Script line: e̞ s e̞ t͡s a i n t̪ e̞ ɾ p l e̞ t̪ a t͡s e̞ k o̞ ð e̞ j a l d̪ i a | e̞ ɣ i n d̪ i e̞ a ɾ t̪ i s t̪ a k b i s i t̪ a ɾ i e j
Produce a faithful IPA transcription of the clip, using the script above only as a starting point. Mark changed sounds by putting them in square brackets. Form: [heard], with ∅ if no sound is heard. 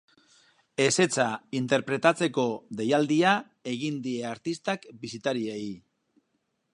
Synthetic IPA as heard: e̞ s e̞ t͡s a i n t̪ e̞ ɾ p [ɾ] e̞ t̪ a t͡s e̞ k o̞ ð e̞ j a l d̪ i a | e̞ ɣ i n d̪ i e̞ a ɾ t̪ i s t̪ a k b i s i t̪ a ɾ i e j

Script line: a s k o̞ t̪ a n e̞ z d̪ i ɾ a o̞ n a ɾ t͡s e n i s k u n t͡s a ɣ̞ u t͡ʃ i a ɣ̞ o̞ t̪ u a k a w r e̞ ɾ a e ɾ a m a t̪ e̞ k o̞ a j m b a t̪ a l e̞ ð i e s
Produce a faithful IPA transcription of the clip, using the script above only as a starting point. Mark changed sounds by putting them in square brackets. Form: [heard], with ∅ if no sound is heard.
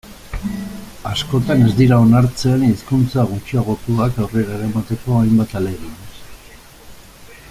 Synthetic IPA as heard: a s k o̞ t̪ a n e̞ z d̪ i ɾ a o̞ n a ɾ t͡s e n i s k u n t͡s a ɣ̞ u t͡ʃ i a ɣ̞ o̞ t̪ u a k a w r e̞ ɾ a e ɾ a m a t̪ e̞ k o̞ a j m b a t̪ a l e̞ [ɣ] i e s

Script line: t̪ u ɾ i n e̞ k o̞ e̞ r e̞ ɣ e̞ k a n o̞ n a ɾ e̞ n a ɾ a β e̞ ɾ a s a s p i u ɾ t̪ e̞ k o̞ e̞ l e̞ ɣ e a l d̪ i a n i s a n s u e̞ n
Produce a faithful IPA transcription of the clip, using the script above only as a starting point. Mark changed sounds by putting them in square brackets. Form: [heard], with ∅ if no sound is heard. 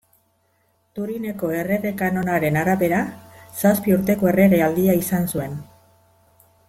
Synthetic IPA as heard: t̪ u ɾ i n e̞ k o̞ e̞ r e̞ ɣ e̞ k a n o̞ n a ɾ e̞ n a ɾ a β e̞ ɾ a s a s p i u ɾ t̪ e̞ k o̞ e̞ [r] e̞ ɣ e a l d̪ i a [∅] i s a n s u e̞ n

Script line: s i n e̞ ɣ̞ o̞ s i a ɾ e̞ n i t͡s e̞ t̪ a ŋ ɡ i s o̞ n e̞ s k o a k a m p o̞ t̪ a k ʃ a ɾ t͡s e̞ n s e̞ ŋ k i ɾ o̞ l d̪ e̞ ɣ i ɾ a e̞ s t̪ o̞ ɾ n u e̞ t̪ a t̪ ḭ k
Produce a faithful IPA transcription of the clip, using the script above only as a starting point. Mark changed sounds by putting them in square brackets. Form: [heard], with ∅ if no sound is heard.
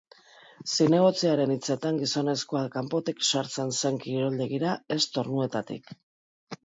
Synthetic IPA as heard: s i n e̞ ɣ̞ o̞ [t͡s] i a ɾ e̞ n i t͡s e̞ t̪ a ŋ ɡ i s o̞ n e̞ s k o a k a m p o̞ t̪ [i] k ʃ a ɾ t͡s e̞ n s e̞ ŋ k i ɾ o̞ l d̪ e̞ ɣ i ɾ a e̞ s t̪ o̞ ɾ n u e̞ t̪ a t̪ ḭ k

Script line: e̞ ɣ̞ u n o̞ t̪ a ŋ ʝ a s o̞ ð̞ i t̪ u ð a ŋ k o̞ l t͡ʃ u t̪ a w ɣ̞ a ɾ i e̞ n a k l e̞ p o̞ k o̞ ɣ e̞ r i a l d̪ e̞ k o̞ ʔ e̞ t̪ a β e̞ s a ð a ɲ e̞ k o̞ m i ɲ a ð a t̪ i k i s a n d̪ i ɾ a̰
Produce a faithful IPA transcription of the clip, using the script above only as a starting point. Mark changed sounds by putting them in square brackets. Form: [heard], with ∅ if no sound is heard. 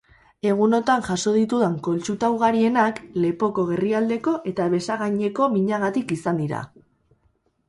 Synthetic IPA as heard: e̞ ɣ̞ u n o̞ t̪ a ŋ ʝ a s o̞ ð̞ i t̪ u ð a ŋ k o̞ l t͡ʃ u t̪ a w ɣ̞ a ɾ i e̞ n a k l e̞ p o̞ k o̞ ɣ e̞ r i a l d̪ e̞ k o̞ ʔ e̞ t̪ a β e̞ s a [ɣ] a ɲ e̞ k o̞ m i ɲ a [ɣ] a t̪ i k i s a n d̪ i ɾ a̰

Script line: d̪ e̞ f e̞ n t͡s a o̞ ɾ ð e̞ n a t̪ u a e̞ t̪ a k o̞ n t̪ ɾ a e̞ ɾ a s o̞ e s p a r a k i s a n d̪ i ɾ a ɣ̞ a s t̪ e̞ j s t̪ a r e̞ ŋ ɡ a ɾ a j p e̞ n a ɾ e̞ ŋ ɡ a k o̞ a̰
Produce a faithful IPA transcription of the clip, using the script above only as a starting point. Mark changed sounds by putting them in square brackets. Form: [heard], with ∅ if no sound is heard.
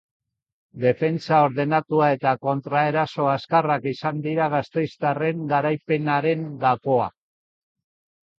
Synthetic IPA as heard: d̪ e̞ f e̞ n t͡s a o̞ ɾ ð e̞ n a t̪ u a e̞ t̪ a k o̞ n t̪ ɾ a e̞ ɾ a s o̞ [a] s [k] a r a k i s a n d̪ i ɾ a ɣ̞ a s t̪ e̞ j s t̪ a r e̞ ŋ ɡ a ɾ a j p e̞ n a ɾ e̞ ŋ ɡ a k o̞ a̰

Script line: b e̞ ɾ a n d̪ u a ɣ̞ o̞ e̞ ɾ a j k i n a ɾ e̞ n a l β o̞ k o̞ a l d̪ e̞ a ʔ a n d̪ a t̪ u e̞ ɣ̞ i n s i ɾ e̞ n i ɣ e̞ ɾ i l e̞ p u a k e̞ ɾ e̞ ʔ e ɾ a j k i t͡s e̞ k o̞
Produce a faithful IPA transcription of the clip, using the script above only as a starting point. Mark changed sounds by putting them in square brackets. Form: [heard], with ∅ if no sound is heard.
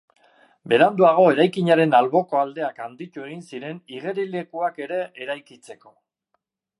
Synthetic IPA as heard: b e̞ ɾ a n d̪ u a ɣ̞ o̞ e̞ ɾ a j k i [ɲ] a ɾ e̞ n a l β o̞ k o̞ a l d̪ e̞ a [k] a n d̪ [i] t̪ u e̞ ɣ̞ i n s i ɾ e̞ n i ɣ e̞ ɾ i l e̞ [k] u a k e̞ ɾ e̞ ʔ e ɾ a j k i t͡s e̞ k o̞

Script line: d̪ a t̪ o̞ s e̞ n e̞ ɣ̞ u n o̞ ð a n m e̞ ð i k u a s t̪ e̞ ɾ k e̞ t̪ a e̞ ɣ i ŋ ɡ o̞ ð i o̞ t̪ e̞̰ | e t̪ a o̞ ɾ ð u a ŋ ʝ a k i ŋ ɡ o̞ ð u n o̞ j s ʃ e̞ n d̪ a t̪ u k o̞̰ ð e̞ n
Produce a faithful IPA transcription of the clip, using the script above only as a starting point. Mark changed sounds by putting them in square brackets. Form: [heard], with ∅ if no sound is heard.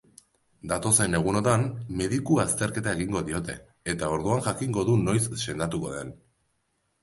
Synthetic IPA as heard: d̪ a t̪ o̞ s e̞ n e̞ ɣ̞ u n o̞ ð a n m e̞ ð i k u a s t̪ e̞ ɾ k e̞ t̪ a e̞ ɣ i ŋ ɡ o̞ ð i o̞ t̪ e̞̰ | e t̪ a o̞ ɾ ð u a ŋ ʝ a k i ŋ ɡ o̞ ð u n o̞ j s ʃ e̞ n d̪ a t̪ u k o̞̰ ð e̞ n

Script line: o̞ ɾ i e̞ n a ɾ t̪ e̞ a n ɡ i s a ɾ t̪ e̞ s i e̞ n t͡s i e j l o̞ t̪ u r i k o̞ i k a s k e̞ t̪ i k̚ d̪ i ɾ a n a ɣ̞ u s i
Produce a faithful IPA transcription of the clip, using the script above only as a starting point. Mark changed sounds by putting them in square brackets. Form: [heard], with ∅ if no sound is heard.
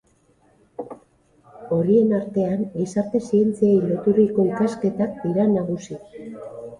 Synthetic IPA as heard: o̞ ɾ i e̞ n a ɾ t̪ e̞ a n ɡ i s a ɾ t̪ e̞ s i e̞ n t͡s i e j l o̞ t̪ u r i k o̞ i k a s k e̞ t̪ [a] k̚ d̪ i ɾ a n a ɣ̞ u s i

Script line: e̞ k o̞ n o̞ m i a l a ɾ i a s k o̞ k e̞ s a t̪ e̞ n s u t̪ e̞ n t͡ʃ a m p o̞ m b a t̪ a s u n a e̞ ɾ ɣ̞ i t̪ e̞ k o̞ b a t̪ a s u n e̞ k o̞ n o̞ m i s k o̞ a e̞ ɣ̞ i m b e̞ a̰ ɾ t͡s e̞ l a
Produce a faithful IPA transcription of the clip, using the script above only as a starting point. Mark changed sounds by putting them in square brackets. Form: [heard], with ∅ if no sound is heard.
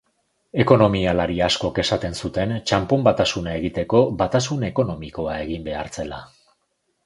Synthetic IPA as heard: e̞ k o̞ n o̞ m i a l a ɾ i a s k o̞ k e̞ s a t̪ e̞ n s u t̪ e̞ n t͡ʃ a m p o̞ m b a t̪ a s u n a e̞ [∅] ɣ̞ i t̪ e̞ k o̞ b a t̪ a s u n e̞ k o̞ n o̞ m i [∅] k o̞ a e̞ ɣ̞ i m b e̞ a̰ ɾ t͡s e̞ l a

